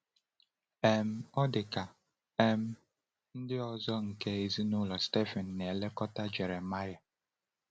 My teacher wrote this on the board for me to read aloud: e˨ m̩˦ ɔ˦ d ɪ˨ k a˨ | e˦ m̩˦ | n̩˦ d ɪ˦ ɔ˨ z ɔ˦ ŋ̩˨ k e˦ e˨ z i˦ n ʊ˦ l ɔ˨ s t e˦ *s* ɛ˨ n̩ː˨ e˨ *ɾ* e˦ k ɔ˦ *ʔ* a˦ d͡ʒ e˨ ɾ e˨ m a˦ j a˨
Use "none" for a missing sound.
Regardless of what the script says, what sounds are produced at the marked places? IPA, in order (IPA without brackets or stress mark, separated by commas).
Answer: f, l, t